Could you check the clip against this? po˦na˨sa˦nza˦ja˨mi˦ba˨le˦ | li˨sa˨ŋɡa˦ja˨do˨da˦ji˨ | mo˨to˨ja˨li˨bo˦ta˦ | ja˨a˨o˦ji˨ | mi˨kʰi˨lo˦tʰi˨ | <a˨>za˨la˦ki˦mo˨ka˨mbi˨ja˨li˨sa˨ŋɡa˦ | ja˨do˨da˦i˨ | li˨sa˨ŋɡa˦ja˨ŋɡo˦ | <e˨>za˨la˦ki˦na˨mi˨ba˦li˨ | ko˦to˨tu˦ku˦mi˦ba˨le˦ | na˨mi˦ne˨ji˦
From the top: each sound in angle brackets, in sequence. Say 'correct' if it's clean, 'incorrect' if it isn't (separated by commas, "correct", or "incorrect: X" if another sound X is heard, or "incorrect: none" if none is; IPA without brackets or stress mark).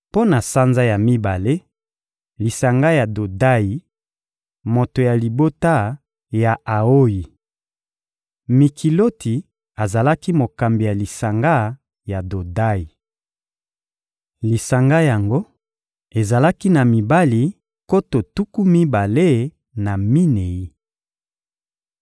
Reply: correct, correct